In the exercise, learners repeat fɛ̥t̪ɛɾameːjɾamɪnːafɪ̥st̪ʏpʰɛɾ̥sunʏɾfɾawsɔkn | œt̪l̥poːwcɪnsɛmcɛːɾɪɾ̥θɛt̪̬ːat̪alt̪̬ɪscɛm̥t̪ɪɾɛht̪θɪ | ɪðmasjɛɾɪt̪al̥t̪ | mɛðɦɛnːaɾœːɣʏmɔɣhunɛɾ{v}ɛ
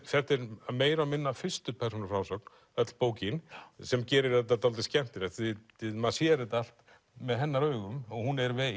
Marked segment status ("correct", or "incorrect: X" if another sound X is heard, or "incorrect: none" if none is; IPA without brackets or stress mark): correct